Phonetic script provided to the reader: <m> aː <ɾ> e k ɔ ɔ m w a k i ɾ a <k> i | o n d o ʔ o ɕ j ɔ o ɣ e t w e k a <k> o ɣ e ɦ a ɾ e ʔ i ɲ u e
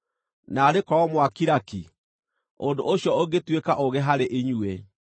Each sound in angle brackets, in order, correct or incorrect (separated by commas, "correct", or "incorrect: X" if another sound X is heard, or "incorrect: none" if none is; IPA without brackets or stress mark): incorrect: n, correct, correct, incorrect: ʔ